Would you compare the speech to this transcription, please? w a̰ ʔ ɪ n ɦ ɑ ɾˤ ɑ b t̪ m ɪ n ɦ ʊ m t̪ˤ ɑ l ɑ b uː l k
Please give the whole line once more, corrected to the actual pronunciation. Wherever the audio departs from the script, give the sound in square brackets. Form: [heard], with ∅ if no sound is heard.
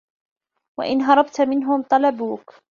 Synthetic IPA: w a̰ ʔ ɪ n ɦ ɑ ɾˤ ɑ b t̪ m ɪ n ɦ ʊ m t̪ˤ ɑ l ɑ b uː [∅] k